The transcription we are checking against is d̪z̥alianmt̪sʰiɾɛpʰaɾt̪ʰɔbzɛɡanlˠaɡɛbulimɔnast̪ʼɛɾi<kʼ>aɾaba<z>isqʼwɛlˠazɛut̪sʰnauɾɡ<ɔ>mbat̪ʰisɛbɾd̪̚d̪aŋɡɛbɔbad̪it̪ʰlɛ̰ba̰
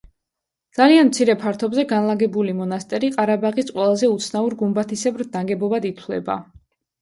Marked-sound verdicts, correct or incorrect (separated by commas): incorrect, incorrect, incorrect